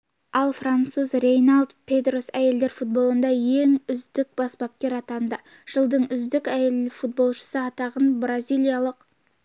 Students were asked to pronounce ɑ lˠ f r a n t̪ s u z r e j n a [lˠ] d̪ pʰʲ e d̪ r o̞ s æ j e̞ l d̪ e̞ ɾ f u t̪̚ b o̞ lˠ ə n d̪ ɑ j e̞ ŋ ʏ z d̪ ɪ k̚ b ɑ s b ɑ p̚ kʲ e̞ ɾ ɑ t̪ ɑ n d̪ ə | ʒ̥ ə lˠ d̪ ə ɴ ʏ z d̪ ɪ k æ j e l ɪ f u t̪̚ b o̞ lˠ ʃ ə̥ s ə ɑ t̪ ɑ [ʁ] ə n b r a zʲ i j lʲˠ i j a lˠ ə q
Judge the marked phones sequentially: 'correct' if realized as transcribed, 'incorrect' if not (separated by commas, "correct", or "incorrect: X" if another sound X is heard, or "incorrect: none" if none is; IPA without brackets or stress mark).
correct, correct